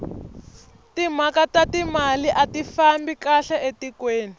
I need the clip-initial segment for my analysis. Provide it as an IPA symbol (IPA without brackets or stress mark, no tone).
t